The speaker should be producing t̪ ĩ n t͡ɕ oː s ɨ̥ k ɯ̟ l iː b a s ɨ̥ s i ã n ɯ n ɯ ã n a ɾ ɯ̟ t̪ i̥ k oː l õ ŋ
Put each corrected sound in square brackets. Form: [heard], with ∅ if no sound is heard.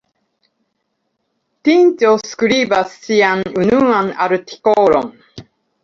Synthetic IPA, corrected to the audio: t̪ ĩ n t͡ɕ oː s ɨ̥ k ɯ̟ [ɾ] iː b a s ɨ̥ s i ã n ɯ n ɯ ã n a ɾ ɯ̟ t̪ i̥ k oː [ɾ] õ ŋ